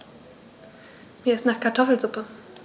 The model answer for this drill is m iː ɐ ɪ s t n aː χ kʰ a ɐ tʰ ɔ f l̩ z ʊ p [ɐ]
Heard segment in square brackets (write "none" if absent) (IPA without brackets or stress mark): ə